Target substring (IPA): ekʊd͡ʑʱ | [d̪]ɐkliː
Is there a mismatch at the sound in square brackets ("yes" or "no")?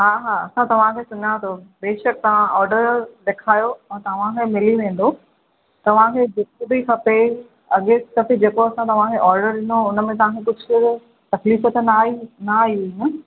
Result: yes